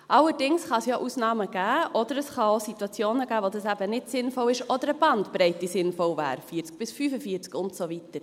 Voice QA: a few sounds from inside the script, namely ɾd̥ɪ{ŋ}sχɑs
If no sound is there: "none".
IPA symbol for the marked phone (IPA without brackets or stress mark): ŋ